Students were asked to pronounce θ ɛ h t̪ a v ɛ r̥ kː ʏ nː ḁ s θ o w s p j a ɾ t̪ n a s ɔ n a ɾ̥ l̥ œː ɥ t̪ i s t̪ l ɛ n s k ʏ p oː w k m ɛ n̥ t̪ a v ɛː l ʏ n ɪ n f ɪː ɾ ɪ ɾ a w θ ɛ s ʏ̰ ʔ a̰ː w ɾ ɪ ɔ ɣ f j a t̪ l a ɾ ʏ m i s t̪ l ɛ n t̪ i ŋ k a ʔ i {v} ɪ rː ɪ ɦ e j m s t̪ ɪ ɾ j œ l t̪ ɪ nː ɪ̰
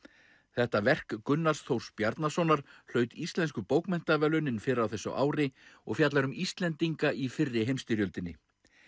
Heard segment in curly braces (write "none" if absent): f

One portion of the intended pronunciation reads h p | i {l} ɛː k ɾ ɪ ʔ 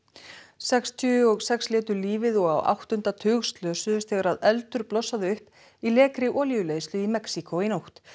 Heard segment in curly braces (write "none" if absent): l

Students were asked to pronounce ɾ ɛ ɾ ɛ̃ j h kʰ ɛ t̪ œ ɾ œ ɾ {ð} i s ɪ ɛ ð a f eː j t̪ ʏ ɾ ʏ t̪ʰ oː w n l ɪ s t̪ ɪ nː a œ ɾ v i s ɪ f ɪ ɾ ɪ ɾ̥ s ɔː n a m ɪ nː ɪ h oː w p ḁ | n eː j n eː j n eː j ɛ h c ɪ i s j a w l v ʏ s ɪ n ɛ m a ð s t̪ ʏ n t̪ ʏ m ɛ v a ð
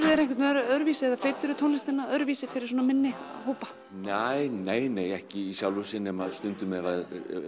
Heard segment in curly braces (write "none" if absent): v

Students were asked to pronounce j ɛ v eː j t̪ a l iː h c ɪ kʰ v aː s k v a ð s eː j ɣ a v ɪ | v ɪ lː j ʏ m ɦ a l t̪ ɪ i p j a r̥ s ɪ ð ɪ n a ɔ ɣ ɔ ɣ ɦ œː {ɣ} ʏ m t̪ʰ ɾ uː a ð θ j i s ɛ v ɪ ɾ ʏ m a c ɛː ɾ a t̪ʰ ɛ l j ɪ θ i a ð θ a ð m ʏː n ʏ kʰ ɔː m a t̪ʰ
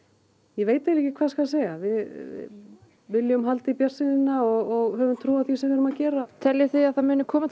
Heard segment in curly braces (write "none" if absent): v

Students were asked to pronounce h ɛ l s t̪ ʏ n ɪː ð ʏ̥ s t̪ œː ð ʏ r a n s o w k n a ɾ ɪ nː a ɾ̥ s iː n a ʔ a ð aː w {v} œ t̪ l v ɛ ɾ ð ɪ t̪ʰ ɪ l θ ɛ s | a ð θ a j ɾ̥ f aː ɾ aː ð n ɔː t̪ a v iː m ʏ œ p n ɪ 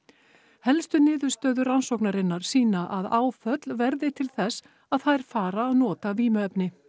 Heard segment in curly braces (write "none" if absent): f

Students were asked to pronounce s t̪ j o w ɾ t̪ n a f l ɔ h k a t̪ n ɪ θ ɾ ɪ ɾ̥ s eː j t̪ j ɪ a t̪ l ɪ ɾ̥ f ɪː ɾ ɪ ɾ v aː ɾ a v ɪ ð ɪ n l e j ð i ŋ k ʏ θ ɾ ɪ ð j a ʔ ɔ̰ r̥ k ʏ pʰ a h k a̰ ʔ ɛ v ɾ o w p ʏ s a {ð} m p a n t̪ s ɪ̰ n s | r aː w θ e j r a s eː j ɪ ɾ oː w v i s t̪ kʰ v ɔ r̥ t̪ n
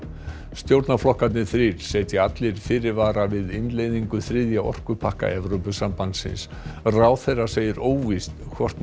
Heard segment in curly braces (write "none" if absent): none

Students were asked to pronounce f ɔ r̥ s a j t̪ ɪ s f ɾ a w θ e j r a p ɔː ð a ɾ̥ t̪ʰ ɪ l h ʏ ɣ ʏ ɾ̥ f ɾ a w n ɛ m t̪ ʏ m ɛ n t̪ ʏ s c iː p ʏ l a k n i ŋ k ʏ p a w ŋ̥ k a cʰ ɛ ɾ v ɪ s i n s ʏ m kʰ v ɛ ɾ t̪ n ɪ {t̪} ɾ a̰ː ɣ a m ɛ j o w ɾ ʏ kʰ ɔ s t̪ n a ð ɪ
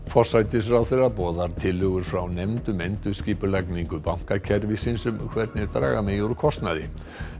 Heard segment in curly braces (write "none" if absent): t̪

